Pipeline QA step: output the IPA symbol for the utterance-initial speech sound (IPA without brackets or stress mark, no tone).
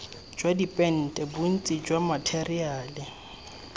d͡ʒ